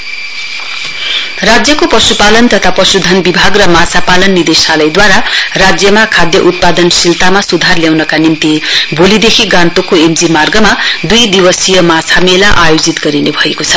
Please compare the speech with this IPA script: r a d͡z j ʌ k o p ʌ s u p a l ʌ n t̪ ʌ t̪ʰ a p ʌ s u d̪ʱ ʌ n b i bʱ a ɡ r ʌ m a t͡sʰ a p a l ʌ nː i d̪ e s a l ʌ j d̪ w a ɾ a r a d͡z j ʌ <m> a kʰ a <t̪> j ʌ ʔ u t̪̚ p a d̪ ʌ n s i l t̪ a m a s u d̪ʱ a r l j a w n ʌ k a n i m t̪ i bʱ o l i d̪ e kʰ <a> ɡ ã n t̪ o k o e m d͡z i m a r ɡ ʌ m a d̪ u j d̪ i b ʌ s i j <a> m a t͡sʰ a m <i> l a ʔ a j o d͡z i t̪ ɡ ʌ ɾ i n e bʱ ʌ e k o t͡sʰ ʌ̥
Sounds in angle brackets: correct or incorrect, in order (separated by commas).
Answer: correct, incorrect, incorrect, incorrect, incorrect